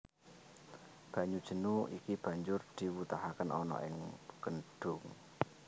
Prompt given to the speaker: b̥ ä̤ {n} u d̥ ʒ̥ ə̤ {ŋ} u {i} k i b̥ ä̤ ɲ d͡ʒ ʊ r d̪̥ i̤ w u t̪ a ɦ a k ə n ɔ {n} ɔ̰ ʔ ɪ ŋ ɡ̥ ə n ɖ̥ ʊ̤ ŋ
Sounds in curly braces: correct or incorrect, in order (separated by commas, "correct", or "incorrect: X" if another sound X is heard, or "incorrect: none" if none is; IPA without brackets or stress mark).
incorrect: ɲ, incorrect: n, correct, correct